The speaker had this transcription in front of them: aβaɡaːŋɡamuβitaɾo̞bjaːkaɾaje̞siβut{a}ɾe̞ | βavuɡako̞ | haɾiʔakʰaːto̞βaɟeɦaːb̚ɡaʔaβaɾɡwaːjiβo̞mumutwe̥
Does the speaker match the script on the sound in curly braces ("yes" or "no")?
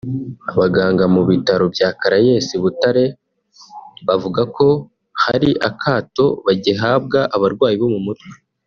yes